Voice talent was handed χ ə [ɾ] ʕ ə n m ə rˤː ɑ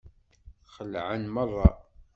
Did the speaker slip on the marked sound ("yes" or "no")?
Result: yes